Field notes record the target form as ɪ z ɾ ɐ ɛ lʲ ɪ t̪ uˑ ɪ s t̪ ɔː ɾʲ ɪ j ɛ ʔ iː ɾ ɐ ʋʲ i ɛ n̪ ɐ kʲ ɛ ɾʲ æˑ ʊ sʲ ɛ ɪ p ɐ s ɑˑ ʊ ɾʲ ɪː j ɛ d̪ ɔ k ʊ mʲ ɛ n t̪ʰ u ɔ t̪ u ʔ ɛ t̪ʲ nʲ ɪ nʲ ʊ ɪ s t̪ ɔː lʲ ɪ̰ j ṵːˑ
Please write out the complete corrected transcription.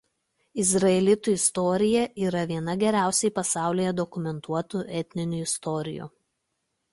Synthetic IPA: ɪ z ɾ ɐ ɛ lʲ ɪ t̪ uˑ ɪ s t̪ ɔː ɾʲ ɪ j ɛ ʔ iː ɾ ɐ ʋʲ i ɛ n̪ ɐ ɡʲ ɛ ɾʲ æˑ ʊ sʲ ɛ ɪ p ɐ s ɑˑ ʊ lʲ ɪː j ɛ d̪ ɔ k ʊ mʲ ɛ n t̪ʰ u ɔ t̪ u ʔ ɛ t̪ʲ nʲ ɪ nʲ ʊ ɪ s t̪ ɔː ɾʲ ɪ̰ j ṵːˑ